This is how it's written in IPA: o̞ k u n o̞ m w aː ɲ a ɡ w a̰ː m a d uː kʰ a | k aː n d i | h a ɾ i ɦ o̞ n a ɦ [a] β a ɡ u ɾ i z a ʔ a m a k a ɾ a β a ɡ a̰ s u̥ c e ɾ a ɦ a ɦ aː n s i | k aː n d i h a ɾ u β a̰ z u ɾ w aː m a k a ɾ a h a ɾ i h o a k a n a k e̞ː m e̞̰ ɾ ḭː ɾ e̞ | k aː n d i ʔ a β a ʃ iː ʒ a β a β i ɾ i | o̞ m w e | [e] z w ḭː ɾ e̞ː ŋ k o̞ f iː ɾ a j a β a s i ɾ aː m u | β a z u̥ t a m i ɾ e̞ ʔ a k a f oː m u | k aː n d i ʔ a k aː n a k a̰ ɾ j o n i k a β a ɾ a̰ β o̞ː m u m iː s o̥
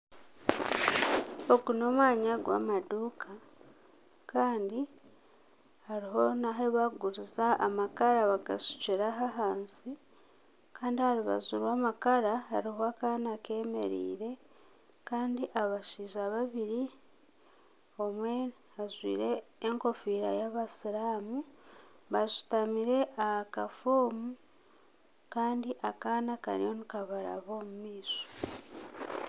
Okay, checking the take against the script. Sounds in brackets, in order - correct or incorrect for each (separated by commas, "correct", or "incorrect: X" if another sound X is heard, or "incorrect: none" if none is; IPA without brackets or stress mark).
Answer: incorrect: e, incorrect: a